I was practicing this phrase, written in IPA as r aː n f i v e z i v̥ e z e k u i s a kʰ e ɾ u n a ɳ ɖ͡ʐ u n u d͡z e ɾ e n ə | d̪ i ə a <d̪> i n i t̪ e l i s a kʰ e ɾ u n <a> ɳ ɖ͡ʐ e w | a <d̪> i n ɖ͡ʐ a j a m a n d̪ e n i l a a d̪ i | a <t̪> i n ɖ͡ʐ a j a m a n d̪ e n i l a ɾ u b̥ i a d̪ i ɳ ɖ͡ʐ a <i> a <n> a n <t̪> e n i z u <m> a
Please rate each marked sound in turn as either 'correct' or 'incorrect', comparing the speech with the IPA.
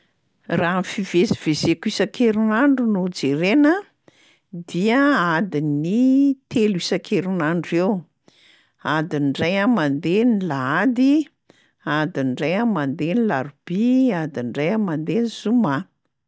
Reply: correct, correct, correct, incorrect: d̪, incorrect: j, incorrect: m, incorrect: d̪, correct

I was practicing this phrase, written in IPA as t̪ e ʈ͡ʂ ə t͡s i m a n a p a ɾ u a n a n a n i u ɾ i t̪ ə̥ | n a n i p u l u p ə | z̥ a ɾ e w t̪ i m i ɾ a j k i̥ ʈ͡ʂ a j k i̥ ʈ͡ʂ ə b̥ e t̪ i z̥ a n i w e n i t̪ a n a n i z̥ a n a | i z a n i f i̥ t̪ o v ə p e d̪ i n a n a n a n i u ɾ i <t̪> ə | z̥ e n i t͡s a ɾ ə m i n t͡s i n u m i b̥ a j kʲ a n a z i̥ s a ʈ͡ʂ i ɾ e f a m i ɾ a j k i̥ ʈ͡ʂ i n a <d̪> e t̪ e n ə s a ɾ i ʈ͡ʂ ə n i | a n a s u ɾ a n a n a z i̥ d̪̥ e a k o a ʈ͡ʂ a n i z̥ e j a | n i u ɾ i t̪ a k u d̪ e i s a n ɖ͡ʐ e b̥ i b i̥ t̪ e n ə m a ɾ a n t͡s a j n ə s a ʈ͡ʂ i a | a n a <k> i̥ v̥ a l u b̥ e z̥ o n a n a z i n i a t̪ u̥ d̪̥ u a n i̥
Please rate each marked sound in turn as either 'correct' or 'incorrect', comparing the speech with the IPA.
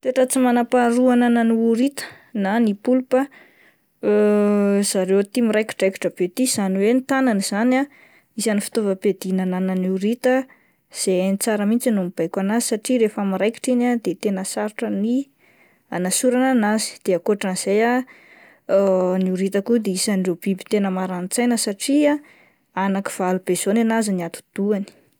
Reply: correct, correct, correct

